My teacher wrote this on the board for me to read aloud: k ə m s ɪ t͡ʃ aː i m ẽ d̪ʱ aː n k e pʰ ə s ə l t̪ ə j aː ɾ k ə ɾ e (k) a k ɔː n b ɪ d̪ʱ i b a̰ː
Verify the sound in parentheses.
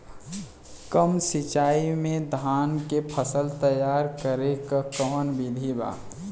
correct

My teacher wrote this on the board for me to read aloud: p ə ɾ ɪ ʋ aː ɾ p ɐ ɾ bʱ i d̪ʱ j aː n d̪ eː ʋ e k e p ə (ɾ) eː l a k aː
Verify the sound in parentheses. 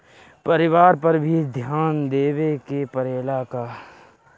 correct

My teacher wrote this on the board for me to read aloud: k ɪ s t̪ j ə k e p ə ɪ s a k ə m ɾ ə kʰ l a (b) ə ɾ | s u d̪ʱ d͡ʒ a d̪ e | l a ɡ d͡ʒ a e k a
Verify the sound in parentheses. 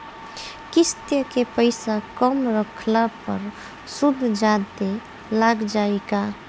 incorrect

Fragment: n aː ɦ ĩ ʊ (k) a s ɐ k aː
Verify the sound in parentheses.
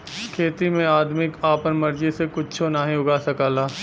incorrect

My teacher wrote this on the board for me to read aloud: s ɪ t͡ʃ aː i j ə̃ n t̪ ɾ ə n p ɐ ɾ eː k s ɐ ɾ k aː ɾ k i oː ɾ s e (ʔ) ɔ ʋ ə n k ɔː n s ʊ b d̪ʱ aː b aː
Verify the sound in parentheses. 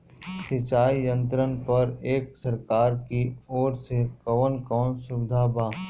incorrect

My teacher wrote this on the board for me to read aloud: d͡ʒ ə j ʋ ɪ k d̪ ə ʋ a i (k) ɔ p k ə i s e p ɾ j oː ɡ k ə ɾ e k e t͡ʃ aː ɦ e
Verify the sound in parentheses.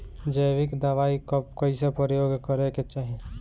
correct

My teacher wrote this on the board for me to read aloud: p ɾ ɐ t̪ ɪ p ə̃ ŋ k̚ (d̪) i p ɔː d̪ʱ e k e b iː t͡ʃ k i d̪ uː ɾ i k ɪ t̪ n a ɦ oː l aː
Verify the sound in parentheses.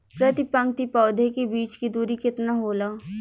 incorrect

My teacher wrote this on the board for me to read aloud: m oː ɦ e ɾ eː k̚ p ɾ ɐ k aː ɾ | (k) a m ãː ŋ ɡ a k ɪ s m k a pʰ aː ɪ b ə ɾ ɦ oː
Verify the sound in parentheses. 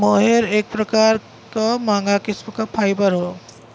correct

